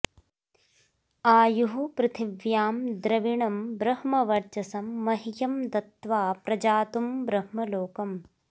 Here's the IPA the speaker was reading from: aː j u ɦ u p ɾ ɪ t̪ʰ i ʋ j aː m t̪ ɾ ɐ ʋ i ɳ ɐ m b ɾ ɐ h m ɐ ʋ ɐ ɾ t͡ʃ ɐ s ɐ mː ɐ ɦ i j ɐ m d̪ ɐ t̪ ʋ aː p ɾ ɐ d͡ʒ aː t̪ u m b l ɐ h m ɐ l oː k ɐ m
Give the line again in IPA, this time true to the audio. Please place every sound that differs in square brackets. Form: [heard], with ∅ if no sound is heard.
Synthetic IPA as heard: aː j u ɦ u p ɾ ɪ t̪ʰ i ʋ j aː m [d̪] ɾ ɐ ʋ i ɳ ɐ m b ɾ ɐ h m ɐ ʋ ɐ ɾ t͡ʃ ɐ s ɐ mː ɐ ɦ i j ɐ m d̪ ɐ t̪ ʋ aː p ɾ ɐ d͡ʒ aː t̪ u m b [ɾ] ɐ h m ɐ l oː k ɐ m

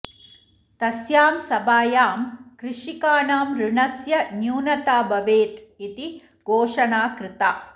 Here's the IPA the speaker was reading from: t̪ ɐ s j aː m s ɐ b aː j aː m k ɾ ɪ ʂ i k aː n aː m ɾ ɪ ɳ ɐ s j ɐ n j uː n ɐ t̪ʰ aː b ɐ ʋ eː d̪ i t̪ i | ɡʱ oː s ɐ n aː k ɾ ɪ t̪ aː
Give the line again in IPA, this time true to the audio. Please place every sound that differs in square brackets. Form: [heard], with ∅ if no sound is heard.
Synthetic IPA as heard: t̪ ɐ s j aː m s ɐ b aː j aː m k ɾ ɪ ʂ i k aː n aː m ɾ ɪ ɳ ɐ s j ɐ n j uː n ɐ [t̪] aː b ɐ ʋ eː [t̪] i t̪ i | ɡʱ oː [ʂ] ɐ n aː k ɾ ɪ t̪ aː

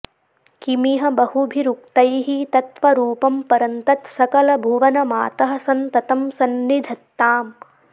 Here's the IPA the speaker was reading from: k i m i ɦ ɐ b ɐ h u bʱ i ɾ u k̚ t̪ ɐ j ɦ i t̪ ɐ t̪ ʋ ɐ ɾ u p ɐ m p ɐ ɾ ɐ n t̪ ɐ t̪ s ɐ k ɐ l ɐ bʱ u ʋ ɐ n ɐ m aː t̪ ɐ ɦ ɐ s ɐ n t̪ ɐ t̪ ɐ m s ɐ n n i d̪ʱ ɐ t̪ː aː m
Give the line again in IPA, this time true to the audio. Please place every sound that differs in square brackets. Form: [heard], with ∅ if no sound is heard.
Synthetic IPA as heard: k i m i ɦ ɐ b ɐ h u bʱ i ɾ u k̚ t̪ ɐ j ɦ i t̪ ɐ t̪ ʋ ɐ ɾ [uː] p ɐ m p ɐ ɾ ɐ n t̪ ɐ t̪ s ɐ k ɐ l ɐ bʱ u ʋ ɐ n ɐ m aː t̪ ɐ ɦ ɐ s ɐ n t̪ ɐ t̪ ɐ m s ɐ n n i d̪ʱ ɐ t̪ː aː m

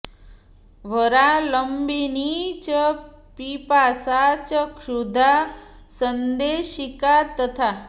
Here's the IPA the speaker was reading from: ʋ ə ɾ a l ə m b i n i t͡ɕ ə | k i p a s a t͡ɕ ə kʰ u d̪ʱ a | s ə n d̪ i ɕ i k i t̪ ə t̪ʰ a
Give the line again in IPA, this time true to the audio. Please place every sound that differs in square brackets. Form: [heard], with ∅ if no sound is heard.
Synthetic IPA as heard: ʋ ə ɾ a l ə m b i n i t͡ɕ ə | [p] i p a s a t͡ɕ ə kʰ u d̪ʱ a | s ə n d̪ [e] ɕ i k [a] t̪ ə t̪ʰ a

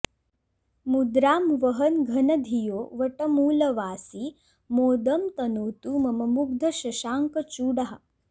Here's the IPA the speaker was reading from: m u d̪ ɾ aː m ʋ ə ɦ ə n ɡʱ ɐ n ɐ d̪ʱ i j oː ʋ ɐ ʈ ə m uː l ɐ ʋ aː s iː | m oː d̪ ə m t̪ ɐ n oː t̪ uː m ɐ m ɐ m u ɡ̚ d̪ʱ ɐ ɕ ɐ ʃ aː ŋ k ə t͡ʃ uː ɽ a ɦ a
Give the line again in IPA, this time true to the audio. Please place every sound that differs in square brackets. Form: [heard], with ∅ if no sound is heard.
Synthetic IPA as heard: m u d̪ ɾ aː m ʋ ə ɦ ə n ɡʱ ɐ n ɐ d̪ʱ i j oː ʋ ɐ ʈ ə m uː l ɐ ʋ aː s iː | m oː d̪ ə m t̪ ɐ n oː t̪ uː m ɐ m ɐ m u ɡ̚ d̪ʱ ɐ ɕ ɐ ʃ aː ŋ k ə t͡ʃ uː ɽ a ɦ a

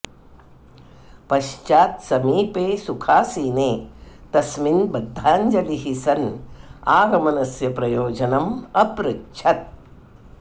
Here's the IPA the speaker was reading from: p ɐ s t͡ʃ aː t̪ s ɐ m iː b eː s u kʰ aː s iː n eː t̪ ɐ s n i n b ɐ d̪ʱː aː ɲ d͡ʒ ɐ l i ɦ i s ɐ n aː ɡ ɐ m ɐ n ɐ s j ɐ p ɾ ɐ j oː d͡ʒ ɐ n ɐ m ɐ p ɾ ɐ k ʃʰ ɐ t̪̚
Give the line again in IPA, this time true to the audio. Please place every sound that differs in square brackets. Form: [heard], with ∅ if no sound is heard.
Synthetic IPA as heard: p ɐ [ʃ] t͡ʃ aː t̪ s ɐ m iː [p] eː s u kʰ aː s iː n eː t̪ ɐ s [m] i n b ɐ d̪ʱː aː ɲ d͡ʒ ɐ l i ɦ i s ɐ n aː ɡ ɐ m ɐ n ɐ s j ɐ p ɾ ɐ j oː d͡ʒ ɐ n ɐ m ɐ p ɾ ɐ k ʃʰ ɐ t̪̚

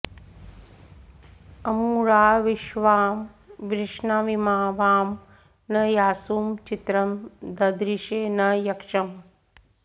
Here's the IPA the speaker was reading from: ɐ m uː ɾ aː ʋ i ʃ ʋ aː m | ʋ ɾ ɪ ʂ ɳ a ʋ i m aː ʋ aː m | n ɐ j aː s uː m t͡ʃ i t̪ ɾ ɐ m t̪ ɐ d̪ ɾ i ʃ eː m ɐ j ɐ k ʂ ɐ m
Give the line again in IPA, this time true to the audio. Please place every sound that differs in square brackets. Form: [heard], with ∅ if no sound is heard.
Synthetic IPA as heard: ɐ m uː ɾ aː ʋ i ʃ ʋ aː m | ʋ ɾ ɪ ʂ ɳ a ʋ i m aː ʋ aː m | n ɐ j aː s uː m t͡ʃ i t̪ ɾ ɐ m [d̪] ɐ d̪ ɾ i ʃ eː [n] ɐ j ɐ k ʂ ɐ m

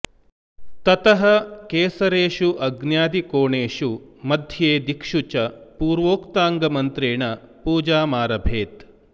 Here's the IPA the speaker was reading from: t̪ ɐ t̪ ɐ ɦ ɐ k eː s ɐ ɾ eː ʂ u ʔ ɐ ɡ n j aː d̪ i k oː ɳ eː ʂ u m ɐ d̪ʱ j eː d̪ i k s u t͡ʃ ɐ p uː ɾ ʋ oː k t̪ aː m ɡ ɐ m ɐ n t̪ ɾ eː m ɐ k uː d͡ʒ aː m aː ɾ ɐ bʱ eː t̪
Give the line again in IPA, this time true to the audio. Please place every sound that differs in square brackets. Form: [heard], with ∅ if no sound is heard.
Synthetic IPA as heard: t̪ ɐ t̪ ɐ ɦ ɐ k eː s ɐ ɾ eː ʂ u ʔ ɐ ɡ n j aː d̪ i k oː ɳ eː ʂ u m ɐ d̪ʱ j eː d̪ i k [ʂ] u t͡ʃ ɐ p uː ɾ ʋ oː k t̪ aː [ŋ] ɡ ɐ m ɐ n t̪ ɾ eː [ɳ] ɐ [p] uː d͡ʒ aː m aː ɾ ɐ bʱ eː t̪

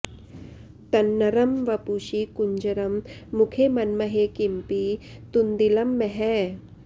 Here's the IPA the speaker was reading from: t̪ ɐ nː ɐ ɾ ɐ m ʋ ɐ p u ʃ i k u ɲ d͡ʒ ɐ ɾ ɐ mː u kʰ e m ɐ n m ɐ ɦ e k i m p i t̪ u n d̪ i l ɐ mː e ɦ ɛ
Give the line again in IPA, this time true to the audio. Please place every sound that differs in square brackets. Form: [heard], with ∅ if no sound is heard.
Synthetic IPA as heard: t̪ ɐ nː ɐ ɾ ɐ m ʋ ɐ p u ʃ i k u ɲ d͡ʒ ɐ ɾ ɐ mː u kʰ e m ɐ n m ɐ ɦ e k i m p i t̪ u n d̪ i l ɐ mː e ɦ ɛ

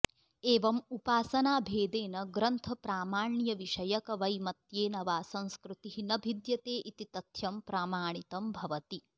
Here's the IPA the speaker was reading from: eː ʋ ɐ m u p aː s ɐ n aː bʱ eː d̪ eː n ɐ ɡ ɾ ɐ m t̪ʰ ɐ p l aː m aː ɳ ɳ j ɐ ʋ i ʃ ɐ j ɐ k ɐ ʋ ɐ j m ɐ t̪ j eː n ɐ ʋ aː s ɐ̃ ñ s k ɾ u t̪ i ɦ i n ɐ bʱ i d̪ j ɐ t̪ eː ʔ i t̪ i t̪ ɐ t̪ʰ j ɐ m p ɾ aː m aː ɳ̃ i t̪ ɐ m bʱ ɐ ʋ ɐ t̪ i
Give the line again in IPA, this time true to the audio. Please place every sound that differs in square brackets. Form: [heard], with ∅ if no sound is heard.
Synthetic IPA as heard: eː ʋ ɐ m u p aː s ɐ n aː bʱ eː d̪ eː n ɐ ɡ ɾ ɐ [n] t̪ʰ ɐ p [ɾ] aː m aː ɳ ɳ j ɐ ʋ i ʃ ɐ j ɐ k ɐ ʋ ɐ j m ɐ t̪ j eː n ɐ ʋ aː s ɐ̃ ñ s k ɾ u t̪ i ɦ i n ɐ bʱ i d̪ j ɐ t̪ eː ʔ i t̪ i t̪ ɐ t̪ʰ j ɐ m p ɾ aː m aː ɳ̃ i t̪ ɐ m bʱ ɐ ʋ ɐ t̪ i

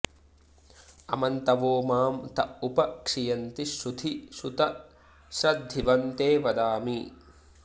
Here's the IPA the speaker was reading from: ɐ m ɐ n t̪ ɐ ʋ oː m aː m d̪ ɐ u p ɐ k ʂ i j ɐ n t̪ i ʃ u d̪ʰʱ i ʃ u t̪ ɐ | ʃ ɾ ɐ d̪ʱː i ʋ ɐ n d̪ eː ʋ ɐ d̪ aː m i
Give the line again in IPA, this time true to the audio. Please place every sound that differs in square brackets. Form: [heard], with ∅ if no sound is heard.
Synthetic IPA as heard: ɐ m ɐ n t̪ ɐ ʋ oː m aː m [t̪] ɐ u p ɐ k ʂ i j ɐ n t̪ i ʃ u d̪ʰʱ i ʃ u t̪ ɐ | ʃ ɾ ɐ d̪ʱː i ʋ ɐ n [t̪] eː ʋ ɐ d̪ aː m i

